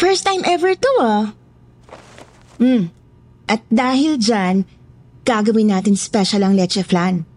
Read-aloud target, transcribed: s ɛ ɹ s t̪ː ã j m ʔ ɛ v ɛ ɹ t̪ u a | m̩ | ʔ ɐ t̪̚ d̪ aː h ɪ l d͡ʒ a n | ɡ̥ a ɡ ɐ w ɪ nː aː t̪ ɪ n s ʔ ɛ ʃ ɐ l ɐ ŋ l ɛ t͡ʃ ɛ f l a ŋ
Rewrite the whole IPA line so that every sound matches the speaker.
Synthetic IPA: f ɛ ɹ s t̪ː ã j m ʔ ɛ v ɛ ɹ t̪ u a | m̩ | ʔ ɐ t̪̚ d̪ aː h ɪ l d͡ʒ a n | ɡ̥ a ɡ ɐ w ɪ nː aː t̪ ɪ n s p ɛ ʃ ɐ l ɐ ŋ l ɛ t͡ʃ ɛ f l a n